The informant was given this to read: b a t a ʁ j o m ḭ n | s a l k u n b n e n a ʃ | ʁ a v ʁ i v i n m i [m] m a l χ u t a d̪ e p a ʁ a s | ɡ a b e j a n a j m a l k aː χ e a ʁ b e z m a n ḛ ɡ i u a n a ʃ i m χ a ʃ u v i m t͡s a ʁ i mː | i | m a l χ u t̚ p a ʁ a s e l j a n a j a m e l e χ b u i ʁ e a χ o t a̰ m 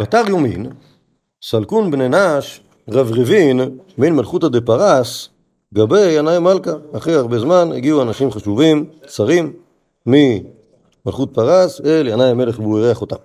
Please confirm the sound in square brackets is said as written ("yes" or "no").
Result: no